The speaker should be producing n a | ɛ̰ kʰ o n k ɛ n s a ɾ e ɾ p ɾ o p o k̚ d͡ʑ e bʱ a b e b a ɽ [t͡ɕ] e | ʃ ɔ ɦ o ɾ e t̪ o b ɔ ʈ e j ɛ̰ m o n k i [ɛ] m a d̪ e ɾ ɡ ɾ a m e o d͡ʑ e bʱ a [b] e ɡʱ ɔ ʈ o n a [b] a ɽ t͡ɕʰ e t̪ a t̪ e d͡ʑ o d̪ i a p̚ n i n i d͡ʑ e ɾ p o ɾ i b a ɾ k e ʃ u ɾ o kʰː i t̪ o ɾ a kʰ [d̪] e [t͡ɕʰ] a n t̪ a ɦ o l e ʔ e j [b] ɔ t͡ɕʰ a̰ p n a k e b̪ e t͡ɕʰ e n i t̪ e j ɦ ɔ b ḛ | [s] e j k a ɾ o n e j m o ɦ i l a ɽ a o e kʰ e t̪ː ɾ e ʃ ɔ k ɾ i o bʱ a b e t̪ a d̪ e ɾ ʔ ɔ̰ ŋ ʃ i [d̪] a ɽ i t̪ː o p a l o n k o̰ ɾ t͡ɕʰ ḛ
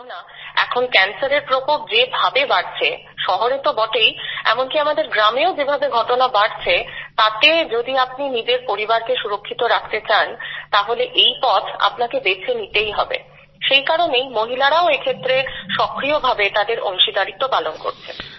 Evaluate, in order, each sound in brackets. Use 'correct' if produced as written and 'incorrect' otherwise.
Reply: incorrect, incorrect, correct, correct, incorrect, incorrect, incorrect, incorrect, correct

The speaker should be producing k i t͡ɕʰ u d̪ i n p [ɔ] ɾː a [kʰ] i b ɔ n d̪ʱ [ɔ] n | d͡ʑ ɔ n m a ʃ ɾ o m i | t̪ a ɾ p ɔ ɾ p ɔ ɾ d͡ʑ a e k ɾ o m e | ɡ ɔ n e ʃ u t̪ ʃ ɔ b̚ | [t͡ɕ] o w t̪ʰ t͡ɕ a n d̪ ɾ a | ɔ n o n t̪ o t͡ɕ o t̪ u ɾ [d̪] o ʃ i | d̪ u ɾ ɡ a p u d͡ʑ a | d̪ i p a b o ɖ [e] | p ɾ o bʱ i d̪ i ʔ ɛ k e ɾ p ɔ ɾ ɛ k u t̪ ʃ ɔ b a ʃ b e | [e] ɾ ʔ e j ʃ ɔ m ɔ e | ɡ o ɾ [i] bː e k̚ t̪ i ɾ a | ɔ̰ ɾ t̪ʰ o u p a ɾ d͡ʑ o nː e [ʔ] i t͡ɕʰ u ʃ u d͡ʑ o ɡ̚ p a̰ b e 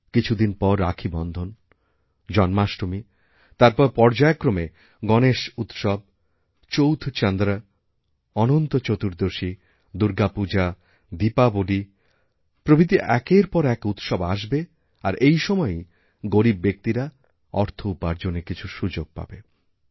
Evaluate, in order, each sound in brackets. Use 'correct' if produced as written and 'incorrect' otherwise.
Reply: correct, correct, incorrect, correct, correct, incorrect, incorrect, correct, incorrect

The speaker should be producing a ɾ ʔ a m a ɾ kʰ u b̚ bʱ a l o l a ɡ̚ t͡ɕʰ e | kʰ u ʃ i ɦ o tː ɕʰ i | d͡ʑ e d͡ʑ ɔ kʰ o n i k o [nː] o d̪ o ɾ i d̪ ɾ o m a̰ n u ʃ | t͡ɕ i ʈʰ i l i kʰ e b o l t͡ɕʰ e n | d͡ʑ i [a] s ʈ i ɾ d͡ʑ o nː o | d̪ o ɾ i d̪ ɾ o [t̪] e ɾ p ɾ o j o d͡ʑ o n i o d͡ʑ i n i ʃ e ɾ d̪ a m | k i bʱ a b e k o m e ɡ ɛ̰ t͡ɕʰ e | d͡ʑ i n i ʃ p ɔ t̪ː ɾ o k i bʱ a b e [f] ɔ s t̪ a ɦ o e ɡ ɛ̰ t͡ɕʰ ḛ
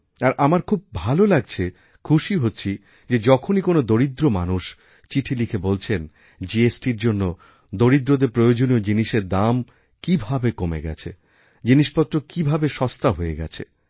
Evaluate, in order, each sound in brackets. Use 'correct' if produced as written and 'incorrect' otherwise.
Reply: incorrect, incorrect, incorrect, incorrect

